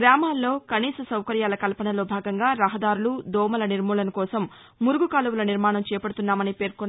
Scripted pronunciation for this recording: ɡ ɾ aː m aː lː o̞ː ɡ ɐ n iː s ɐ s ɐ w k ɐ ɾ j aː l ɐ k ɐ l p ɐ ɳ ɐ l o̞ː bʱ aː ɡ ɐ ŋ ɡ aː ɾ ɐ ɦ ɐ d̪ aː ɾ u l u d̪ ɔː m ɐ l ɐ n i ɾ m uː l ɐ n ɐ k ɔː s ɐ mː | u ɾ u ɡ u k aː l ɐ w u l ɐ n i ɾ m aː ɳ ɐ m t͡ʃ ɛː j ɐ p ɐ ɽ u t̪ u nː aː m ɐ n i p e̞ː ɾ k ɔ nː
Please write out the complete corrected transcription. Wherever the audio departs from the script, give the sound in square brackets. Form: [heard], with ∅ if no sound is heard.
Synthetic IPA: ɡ ɾ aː m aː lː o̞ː [k] ɐ n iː s ɐ s ɐ w k ɐ ɾ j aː l ɐ k ɐ l p ɐ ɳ ɐ l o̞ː bʱ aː ɡ ɐ ŋ ɡ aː ɾ ɐ ɦ ɐ d̪ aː ɾ u l u d̪ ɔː m ɐ l ɐ n i ɾ m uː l ɐ n ɐ k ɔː s ɐ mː | u ɾ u ɡ u k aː l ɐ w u l ɐ n i ɾ m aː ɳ ɐ m t͡ʃ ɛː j ɐ p ɐ ɽ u t̪ u nː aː m ɐ n i p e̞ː ɾ k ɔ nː

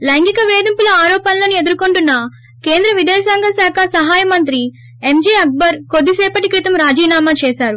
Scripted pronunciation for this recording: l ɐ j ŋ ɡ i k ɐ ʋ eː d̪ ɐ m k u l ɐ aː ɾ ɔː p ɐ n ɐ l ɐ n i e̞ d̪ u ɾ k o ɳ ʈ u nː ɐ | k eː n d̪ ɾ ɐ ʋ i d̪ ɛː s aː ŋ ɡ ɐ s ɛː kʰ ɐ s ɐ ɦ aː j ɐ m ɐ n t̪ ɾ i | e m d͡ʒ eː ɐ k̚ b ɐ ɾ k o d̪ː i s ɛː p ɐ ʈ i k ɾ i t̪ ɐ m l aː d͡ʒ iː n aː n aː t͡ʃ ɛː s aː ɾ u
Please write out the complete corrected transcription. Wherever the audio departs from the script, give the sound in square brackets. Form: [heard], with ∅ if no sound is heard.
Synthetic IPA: l ɐ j ŋ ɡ i k ɐ ʋ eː d̪ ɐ m [p] u l ɐ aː ɾ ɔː p ɐ n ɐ l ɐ n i e̞ d̪ u ɾ k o ɳ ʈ u nː ɐ | k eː n d̪ ɾ ɐ ʋ i d̪ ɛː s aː ŋ ɡ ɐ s [aː] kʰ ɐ s ɐ ɦ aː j ɐ m ɐ n t̪ ɾ i | e m d͡ʒ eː ɐ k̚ b ɐ ɾ k o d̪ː i s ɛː p ɐ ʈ i k ɾ i t̪ ɐ m [ɾ] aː d͡ʒ iː n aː [m] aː t͡ʃ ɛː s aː ɾ u

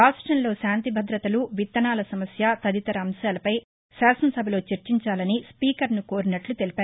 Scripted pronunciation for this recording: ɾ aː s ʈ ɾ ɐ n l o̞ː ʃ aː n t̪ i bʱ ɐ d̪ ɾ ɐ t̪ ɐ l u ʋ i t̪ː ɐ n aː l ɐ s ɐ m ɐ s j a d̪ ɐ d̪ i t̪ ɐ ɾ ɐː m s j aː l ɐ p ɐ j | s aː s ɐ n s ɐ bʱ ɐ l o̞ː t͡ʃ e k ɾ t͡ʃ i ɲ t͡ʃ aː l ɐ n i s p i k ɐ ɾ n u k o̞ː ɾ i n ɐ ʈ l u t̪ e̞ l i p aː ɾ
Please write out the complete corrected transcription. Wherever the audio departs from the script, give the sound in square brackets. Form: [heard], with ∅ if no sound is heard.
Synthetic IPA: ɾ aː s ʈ ɾ ɐ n l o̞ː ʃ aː n t̪ i bʱ ɐ d̪ ɾ ɐ t̪ ɐ l u ʋ i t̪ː ɐ n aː l ɐ s ɐ m ɐ s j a [t̪] ɐ d̪ i t̪ ɐ ɾ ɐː m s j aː l ɐ p ɐ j | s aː s ɐ n s ɐ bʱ ɐ l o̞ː t͡ʃ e [∅] ɾ t͡ʃ i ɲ t͡ʃ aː l ɐ n i s p [iː] k ɐ ɾ n u k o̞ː ɾ i n ɐ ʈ l u t̪ e̞ l i p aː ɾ

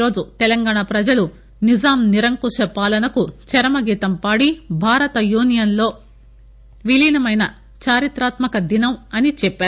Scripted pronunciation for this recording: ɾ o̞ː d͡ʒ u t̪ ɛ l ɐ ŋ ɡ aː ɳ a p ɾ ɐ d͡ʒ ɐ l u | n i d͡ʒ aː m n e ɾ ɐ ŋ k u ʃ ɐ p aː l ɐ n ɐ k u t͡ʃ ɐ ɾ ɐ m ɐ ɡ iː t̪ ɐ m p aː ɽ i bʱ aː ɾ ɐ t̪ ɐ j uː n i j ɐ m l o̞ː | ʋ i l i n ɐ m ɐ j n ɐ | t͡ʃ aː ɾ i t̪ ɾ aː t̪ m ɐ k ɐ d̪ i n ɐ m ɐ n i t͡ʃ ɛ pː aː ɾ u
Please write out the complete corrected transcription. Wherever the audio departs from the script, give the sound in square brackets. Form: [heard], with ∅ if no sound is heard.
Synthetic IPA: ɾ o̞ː d͡ʒ u t̪ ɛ l ɐ ŋ ɡ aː ɳ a p ɾ ɐ d͡ʒ ɐ l u | n i d͡ʒ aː m n [i] ɾ ɐ ŋ k u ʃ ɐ p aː l ɐ n ɐ k u t͡ʃ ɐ ɾ ɐ m ɐ ɡ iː t̪ ɐ m p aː ɽ i bʱ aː ɾ ɐ t̪ ɐ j uː n i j ɐ [n] l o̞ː | ʋ i l i n ɐ m ɐ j n ɐ | t͡ʃ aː ɾ i t̪ ɾ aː t̪ m ɐ k ɐ d̪ i n ɐ m ɐ n i t͡ʃ ɛ pː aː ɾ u

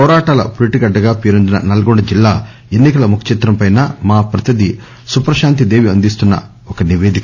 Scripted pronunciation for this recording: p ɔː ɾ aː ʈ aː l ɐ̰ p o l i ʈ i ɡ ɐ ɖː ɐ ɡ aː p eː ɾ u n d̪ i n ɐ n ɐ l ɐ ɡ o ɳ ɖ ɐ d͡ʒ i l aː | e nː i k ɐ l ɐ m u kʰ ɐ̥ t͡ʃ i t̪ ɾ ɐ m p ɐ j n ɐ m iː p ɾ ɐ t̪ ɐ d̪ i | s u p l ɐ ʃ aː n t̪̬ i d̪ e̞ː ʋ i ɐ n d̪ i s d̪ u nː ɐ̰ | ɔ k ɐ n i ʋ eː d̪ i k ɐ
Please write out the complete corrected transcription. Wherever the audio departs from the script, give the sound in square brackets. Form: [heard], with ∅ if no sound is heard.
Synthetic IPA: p ɔː ɾ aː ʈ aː l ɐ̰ p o l i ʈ i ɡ ɐ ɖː ɐ ɡ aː p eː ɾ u n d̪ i n ɐ n ɐ l ɐ ɡ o ɳ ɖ ɐ d͡ʒ i [lː] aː | e nː i k ɐ l ɐ m u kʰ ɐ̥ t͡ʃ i t̪ ɾ ɐ m p ɐ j n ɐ m [aː] p ɾ ɐ t̪ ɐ d̪ i | s u p [ɾ] ɐ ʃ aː n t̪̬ i d̪ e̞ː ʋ i ɐ n d̪ i s [t̪] u nː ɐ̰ | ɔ k ɐ n i ʋ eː d̪ i k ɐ

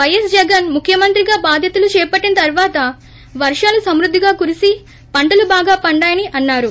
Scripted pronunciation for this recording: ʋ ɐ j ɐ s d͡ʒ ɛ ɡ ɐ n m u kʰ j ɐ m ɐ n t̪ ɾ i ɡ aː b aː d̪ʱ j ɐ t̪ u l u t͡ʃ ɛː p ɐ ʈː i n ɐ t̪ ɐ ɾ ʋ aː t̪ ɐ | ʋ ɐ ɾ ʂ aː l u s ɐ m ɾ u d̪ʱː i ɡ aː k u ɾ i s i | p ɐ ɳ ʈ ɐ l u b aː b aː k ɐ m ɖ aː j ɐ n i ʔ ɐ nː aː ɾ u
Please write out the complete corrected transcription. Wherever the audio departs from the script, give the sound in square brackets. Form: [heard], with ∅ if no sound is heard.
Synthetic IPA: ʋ ɐ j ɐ s d͡ʒ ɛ ɡ ɐ n m u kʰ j ɐ m ɐ n t̪ ɾ i ɡ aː b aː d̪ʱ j ɐ t̪ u l u t͡ʃ ɛː p ɐ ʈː i n ɐ t̪ ɐ ɾ ʋ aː t̪ ɐ | ʋ ɐ ɾ ʂ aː l u s ɐ m ɾ u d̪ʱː i ɡ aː k u ɾ i s i | p ɐ ɳ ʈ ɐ l u b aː [ɡ] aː [p] ɐ [ɳ] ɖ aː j ɐ n i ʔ ɐ nː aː ɾ u

